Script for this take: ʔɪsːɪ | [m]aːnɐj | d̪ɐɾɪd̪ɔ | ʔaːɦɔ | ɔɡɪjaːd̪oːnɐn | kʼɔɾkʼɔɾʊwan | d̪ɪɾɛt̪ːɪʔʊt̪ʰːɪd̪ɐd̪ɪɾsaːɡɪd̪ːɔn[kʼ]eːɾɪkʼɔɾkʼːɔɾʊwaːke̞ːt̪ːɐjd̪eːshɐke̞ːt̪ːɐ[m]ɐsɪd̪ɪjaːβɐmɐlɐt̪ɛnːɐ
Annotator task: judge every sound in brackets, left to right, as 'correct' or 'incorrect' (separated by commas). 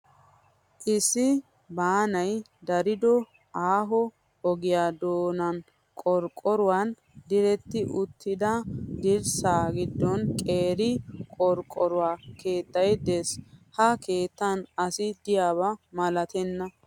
incorrect, correct, incorrect